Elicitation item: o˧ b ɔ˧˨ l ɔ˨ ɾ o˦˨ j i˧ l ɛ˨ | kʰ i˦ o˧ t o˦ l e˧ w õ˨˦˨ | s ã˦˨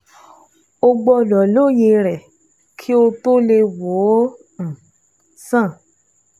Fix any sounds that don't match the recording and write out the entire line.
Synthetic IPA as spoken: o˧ ɡ͡b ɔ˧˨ l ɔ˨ l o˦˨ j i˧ ɾ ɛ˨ | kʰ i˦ o˧ t o˦ l e˧ w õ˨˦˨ | s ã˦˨